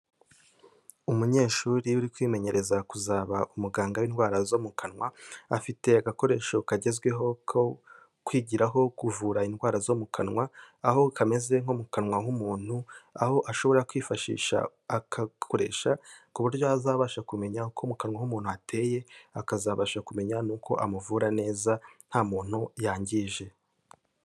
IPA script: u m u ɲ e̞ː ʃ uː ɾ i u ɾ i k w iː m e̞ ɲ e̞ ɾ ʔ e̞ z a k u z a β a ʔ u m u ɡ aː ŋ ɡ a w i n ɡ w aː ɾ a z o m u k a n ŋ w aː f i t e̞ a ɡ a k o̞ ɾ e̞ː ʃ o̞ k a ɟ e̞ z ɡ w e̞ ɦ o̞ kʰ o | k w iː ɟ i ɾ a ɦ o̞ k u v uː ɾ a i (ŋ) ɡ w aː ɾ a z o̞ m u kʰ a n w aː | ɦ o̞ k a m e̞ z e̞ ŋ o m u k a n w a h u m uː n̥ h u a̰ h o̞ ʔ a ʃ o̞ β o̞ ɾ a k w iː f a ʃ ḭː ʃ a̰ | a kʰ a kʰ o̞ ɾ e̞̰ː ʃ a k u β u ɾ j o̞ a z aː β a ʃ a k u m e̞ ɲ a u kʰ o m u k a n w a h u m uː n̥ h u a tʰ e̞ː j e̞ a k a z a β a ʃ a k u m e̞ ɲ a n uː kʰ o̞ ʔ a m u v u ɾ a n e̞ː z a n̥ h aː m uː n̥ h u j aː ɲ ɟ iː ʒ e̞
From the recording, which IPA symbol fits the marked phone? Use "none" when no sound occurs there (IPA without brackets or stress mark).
n